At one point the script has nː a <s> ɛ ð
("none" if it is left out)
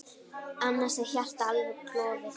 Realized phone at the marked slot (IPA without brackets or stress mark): s